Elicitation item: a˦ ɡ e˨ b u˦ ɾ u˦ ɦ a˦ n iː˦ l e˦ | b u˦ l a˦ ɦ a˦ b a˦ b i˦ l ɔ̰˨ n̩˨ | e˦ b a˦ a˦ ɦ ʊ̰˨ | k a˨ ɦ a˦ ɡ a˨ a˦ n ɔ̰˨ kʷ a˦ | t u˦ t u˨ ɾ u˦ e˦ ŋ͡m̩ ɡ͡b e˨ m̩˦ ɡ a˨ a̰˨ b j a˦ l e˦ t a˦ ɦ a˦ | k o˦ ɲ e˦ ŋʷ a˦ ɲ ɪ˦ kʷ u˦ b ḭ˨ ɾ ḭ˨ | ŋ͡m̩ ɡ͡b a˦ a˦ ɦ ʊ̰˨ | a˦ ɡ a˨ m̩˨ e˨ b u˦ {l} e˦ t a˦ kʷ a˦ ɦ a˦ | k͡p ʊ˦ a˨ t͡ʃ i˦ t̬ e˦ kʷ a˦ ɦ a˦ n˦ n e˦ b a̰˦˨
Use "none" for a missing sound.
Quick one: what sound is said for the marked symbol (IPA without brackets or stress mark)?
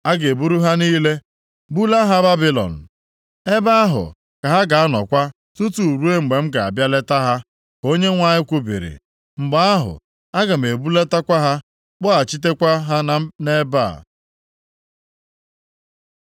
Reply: l